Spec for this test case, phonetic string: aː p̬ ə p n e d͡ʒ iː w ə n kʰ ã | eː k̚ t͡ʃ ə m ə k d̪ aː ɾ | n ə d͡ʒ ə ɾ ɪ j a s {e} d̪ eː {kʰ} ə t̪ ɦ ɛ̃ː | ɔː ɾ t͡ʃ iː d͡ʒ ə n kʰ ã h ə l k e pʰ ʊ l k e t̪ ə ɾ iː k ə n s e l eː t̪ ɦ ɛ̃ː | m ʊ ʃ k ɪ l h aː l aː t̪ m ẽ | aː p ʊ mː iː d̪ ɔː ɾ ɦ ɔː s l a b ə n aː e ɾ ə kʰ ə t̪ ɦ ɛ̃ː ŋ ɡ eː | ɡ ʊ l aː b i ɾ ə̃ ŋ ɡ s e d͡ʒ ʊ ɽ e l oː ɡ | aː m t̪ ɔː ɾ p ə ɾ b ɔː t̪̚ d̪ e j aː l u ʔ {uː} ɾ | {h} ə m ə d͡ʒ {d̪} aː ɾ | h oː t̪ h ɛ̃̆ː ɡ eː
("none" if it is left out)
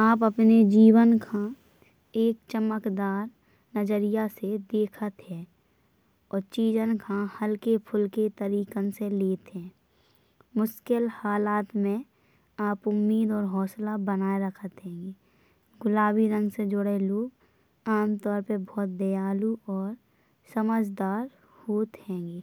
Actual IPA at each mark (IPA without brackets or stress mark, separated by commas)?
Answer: e, kʰ, ɔː, s, d̪